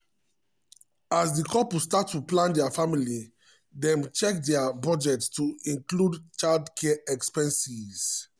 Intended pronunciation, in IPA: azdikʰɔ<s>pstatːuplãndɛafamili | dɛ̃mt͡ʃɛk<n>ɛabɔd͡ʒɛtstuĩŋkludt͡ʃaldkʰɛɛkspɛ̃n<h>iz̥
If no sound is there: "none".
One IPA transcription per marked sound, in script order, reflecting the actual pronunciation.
none, d, s

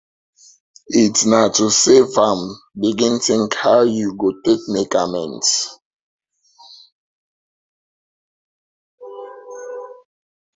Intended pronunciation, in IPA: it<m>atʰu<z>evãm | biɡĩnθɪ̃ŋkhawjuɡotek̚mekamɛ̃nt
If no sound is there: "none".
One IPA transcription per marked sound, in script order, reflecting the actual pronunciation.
n, s

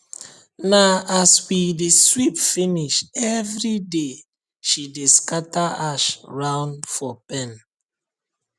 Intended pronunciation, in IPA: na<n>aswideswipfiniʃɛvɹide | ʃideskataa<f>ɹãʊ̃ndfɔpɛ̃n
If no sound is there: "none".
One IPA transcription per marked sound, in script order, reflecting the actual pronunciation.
none, ʃ

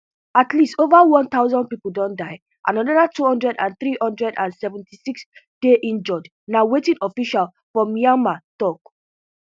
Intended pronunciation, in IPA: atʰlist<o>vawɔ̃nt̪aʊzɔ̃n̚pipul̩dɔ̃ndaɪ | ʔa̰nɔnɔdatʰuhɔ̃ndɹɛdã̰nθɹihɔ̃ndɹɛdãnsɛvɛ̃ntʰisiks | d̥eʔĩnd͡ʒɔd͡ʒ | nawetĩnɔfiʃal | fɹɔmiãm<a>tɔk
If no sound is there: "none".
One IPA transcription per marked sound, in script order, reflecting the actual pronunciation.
o, a

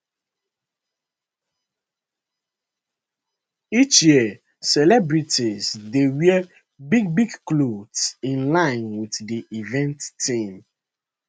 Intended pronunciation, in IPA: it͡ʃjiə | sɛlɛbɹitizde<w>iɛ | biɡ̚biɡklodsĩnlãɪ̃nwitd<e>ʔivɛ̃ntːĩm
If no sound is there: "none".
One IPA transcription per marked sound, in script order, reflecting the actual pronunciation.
w, i

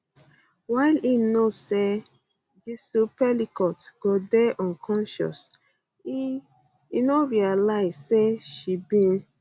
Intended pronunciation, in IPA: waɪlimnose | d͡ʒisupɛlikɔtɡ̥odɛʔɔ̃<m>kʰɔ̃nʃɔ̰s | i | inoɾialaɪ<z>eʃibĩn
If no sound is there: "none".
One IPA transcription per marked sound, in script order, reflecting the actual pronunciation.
n, s

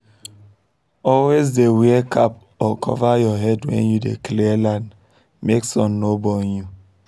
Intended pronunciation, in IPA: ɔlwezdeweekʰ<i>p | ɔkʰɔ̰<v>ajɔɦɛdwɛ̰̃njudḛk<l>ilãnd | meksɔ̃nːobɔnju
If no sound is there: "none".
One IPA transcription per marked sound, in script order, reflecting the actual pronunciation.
a, v, l

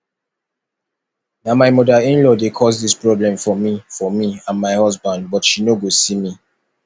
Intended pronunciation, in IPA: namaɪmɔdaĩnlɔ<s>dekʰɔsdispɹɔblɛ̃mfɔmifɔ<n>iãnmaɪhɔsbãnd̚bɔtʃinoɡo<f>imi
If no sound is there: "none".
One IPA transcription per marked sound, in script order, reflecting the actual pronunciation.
none, m, s

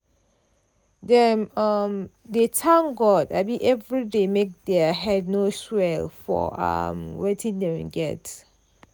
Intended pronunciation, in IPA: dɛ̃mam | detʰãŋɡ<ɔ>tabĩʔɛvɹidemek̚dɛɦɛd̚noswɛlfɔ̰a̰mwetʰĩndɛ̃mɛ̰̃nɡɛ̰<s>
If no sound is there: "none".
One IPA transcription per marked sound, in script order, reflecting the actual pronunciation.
ɔ, t

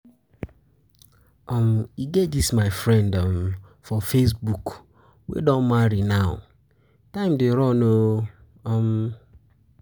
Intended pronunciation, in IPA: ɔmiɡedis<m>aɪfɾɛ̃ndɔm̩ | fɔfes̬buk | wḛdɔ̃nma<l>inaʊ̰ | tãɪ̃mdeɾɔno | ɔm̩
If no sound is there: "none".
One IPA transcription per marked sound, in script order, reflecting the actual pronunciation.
m, ɾ

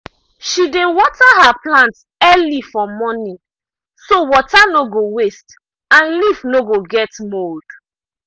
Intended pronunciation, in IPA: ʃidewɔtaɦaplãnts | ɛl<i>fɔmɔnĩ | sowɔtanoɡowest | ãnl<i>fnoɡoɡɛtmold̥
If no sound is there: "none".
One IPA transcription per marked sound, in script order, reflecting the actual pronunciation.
i, i

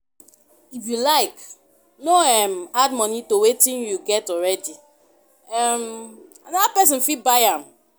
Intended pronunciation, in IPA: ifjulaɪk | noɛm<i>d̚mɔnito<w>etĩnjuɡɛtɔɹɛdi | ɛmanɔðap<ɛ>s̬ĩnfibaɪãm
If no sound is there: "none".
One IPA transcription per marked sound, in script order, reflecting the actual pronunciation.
a, w, ɛ

